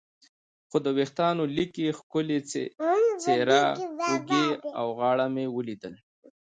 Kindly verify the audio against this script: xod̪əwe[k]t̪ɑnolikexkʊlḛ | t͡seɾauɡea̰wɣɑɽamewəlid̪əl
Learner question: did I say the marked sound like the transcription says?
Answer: no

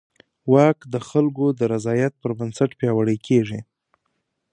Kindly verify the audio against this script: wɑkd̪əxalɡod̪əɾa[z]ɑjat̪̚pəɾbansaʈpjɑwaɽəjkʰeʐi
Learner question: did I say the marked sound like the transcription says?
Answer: yes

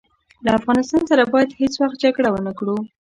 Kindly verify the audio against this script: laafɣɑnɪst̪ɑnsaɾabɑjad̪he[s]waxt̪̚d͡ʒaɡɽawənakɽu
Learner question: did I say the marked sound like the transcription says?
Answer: no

